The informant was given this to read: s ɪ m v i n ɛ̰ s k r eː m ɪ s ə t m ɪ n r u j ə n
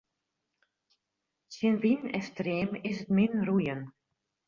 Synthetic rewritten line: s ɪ n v i n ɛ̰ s t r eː m ɪ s ə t m ɪ n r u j ə n